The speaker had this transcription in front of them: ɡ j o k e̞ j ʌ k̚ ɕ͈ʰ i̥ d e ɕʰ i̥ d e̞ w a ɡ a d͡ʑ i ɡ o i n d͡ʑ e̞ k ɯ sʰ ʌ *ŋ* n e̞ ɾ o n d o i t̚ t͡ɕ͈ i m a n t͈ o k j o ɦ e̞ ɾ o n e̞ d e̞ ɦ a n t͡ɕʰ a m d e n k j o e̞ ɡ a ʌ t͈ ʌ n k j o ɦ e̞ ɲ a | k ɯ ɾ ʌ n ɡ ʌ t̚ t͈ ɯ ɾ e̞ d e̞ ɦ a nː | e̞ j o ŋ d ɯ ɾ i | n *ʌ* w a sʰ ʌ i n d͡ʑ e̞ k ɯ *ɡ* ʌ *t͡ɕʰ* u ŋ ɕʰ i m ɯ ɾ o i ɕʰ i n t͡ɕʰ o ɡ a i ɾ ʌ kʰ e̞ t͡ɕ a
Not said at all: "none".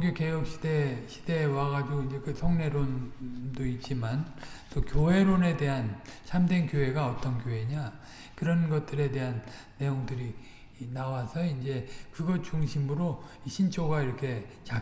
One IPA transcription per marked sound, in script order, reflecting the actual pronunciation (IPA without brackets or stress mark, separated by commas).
ŋ, a, ɡ, t͡ɕ